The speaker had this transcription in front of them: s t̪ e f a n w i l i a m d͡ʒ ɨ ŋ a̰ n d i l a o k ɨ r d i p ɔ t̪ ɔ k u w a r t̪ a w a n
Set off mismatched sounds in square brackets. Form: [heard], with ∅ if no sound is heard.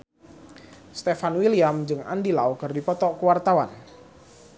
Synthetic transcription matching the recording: s t̪ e f a n w i l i a m d͡ʒ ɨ ŋ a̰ n d i l a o k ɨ r d i p ɔ t̪ ɔ k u w a r t̪ a w a n